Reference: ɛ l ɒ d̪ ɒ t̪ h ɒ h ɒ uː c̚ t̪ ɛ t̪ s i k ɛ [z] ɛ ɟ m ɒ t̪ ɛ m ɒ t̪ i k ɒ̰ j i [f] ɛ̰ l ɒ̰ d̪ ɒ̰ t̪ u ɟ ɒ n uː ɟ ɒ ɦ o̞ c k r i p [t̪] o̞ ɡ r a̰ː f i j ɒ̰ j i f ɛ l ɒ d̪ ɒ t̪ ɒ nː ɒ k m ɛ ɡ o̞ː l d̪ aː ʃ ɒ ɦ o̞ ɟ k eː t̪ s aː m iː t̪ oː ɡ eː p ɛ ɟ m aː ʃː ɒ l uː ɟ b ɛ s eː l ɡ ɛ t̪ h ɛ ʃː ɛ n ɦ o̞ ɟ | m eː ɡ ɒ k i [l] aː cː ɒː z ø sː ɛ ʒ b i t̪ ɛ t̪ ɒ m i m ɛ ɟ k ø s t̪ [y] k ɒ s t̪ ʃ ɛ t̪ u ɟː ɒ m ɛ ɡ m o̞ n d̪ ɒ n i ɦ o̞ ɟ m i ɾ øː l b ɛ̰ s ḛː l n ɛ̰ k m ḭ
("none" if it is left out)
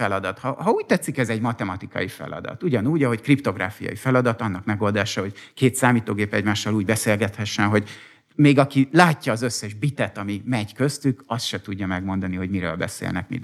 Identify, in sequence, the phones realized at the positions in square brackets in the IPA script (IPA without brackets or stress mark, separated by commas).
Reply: z, f, t̪, l, y